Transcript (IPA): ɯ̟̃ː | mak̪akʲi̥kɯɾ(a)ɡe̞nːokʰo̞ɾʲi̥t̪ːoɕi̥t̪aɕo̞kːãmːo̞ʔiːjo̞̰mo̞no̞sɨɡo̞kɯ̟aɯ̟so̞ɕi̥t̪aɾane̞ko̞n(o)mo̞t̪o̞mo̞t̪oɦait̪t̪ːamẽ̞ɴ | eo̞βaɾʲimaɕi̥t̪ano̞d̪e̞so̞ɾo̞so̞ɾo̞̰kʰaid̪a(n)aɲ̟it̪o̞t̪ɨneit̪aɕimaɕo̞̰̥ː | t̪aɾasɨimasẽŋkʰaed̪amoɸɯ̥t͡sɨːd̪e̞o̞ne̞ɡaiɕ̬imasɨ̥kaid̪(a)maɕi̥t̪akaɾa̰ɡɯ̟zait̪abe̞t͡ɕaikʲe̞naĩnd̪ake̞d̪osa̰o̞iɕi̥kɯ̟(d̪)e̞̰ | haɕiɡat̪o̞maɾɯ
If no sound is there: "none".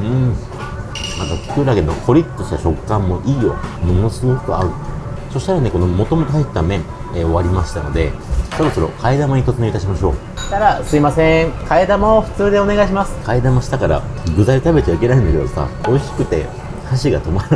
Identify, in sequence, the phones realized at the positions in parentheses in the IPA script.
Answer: a, o, m, a, t̪

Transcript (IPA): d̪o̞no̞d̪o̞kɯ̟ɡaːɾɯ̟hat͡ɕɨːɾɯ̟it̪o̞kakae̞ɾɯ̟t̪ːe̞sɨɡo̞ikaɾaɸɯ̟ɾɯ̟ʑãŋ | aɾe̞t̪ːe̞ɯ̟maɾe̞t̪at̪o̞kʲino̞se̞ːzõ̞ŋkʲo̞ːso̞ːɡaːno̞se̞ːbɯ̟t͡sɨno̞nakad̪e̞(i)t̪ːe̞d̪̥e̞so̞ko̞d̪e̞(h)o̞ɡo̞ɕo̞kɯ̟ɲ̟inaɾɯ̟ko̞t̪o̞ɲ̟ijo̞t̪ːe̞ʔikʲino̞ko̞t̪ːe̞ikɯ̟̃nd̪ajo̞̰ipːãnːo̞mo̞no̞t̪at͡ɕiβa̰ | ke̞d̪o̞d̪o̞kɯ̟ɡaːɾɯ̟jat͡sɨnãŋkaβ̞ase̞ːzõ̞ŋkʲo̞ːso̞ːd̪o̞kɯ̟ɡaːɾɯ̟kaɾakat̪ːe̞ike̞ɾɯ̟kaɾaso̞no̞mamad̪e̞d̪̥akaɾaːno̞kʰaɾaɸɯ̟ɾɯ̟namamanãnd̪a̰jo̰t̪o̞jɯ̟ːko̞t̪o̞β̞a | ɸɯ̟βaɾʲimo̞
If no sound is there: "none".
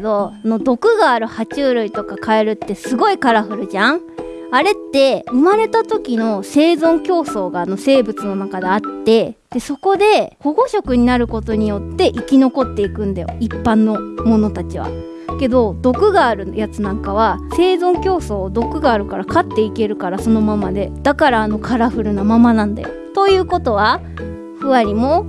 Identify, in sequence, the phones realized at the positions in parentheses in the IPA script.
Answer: a, h

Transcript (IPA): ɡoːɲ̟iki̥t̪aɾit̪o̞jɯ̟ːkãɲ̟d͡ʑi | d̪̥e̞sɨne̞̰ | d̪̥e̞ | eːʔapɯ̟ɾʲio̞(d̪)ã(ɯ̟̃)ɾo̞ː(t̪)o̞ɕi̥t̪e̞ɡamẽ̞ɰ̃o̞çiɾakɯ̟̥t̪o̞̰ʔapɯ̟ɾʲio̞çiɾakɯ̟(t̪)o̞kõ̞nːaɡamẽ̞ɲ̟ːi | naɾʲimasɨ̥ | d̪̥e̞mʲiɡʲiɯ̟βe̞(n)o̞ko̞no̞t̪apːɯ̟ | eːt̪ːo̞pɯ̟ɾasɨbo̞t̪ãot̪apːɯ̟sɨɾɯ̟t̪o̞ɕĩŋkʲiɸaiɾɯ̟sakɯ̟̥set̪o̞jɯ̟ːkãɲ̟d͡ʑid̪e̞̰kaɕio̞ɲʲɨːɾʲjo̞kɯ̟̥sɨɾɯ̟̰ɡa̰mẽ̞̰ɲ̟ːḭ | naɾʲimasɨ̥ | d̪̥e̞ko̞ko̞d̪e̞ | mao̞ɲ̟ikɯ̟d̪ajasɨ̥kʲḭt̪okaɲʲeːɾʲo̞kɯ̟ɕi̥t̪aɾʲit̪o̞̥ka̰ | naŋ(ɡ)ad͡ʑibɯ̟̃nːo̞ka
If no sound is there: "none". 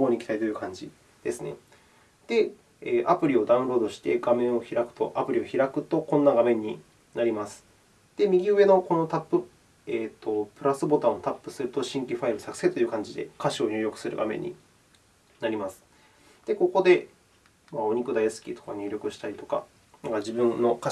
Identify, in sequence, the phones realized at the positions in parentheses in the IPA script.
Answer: d̪, ɯ̟̃, d̪, t̪, n, k

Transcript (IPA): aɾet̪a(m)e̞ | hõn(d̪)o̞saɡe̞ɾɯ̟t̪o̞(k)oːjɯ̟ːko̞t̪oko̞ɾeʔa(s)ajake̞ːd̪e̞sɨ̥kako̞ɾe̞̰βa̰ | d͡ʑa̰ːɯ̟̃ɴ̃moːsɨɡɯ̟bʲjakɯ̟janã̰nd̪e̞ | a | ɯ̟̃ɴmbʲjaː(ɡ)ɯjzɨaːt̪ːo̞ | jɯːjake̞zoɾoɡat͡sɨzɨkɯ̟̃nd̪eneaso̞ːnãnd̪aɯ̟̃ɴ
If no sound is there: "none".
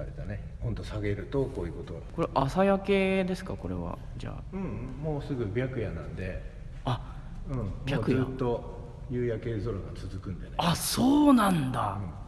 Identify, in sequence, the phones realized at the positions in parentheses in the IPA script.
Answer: n, t̪, k, s, k

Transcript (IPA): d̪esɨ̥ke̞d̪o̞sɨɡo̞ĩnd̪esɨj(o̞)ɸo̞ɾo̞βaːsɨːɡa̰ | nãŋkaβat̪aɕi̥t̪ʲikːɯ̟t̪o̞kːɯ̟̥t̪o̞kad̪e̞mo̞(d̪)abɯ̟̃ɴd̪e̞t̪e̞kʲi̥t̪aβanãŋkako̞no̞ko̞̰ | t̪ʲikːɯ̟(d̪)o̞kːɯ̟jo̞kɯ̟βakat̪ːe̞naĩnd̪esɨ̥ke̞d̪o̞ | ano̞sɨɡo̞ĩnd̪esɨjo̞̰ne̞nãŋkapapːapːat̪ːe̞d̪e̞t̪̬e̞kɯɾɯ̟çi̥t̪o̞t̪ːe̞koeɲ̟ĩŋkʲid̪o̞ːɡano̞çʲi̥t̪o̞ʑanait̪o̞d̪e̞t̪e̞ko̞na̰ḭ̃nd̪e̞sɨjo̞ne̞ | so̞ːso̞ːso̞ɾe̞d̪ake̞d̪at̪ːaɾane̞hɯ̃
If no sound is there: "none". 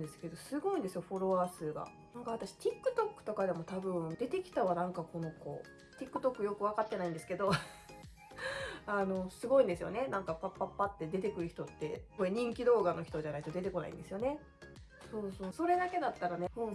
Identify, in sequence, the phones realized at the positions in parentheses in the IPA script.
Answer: o̞, t̪, t̪

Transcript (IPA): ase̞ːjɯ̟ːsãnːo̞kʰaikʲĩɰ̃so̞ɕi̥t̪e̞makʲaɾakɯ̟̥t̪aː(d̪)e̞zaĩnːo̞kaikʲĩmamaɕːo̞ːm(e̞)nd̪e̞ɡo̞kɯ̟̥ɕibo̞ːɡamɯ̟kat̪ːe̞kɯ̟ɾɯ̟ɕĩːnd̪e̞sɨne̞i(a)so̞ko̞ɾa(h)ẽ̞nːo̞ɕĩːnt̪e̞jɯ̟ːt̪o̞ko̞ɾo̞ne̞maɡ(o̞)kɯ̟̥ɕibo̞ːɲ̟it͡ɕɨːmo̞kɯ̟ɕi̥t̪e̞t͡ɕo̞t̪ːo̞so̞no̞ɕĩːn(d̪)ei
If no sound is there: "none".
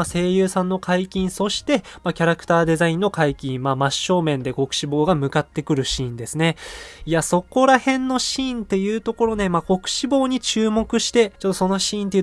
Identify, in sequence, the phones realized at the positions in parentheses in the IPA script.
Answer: d̪, ẽ̞, a, h, o̞, t̪

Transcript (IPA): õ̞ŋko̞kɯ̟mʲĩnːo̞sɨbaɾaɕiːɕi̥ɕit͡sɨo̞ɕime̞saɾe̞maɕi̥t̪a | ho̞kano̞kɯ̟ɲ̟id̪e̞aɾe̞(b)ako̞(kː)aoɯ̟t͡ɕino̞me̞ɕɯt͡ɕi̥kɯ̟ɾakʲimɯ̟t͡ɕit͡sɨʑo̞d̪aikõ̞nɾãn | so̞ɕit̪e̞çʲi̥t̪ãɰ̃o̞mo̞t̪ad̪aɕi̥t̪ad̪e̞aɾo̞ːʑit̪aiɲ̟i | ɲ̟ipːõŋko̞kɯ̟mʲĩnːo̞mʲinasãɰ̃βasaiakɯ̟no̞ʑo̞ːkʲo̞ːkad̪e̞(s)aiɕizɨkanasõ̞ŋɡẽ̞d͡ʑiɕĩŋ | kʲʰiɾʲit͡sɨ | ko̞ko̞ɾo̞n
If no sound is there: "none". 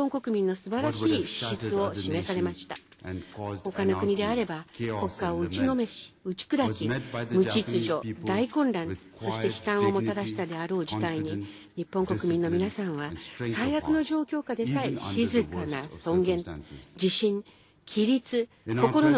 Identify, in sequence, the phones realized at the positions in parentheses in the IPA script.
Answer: b, kː, s

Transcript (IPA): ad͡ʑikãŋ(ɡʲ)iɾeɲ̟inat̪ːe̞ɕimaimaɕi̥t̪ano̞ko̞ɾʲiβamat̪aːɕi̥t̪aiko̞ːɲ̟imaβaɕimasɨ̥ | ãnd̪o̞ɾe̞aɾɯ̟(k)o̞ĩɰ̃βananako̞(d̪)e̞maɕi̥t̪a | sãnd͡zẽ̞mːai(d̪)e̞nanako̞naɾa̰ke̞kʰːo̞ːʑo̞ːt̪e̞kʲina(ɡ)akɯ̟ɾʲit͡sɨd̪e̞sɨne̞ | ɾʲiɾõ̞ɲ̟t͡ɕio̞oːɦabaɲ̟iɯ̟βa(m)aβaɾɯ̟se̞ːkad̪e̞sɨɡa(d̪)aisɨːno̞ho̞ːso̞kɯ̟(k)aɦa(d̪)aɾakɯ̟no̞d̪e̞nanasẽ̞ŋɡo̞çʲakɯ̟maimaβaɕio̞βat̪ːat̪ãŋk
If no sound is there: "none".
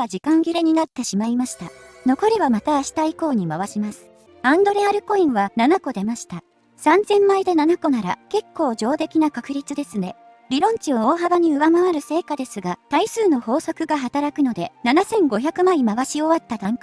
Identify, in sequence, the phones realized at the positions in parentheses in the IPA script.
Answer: ɡʲ, k, d̪, d̪, k, m, t̪, ɡ, t̪

